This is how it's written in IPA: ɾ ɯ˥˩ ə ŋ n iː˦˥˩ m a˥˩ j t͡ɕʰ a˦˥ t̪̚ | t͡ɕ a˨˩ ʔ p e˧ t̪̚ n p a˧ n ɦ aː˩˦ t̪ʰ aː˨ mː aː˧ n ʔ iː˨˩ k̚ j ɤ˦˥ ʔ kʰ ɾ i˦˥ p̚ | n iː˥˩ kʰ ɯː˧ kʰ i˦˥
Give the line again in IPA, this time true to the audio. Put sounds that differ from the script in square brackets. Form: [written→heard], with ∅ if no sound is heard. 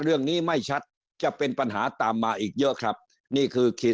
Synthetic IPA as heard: ɾ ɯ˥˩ ə ŋ n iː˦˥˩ m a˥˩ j t͡ɕʰ a˦˥ t̪̚ | t͡ɕ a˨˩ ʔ p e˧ [t̪̚→∅] n p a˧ n ɦ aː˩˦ [t̪ʰ→t̪] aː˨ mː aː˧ [n→∅] ʔ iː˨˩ k̚ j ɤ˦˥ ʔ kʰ ɾ [i˦˥→a˦˥] p̚ | n iː˥˩ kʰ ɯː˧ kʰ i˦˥